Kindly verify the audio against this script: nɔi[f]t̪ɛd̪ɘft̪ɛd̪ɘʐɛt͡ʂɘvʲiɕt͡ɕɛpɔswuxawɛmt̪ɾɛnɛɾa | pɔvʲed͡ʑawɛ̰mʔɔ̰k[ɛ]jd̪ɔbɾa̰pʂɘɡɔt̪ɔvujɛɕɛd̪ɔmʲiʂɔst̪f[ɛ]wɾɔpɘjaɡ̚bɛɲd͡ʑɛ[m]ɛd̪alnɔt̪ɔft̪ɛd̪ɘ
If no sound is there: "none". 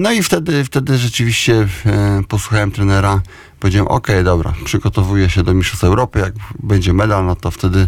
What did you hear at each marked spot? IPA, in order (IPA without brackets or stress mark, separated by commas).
f, ɛ, ɛ, m